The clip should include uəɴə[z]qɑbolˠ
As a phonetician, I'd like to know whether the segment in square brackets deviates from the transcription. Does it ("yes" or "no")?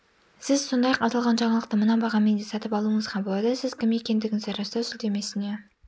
no